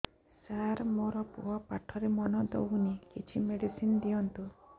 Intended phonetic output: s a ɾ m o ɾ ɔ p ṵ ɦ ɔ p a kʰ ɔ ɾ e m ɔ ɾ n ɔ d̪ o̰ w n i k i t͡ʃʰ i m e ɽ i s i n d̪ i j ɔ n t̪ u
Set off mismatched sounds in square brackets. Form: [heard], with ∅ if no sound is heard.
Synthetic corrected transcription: s a ɾ m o ɾ ɔ p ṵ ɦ ɔ p a [ʈʰ] ɔ ɾ e m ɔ [∅] n ɔ d̪ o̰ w n i k i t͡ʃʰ i m e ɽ i s i n d̪ i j ɔ n t̪ u